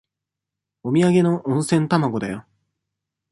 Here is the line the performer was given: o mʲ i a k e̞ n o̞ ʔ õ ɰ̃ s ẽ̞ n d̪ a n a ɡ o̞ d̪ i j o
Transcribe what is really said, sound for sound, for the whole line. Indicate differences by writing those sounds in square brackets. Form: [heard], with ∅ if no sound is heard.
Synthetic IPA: o mʲ i a [ɡ] e̞ n o̞ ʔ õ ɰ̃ s ẽ̞ n [t̪] a [m] a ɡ o̞ d̪ [a] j o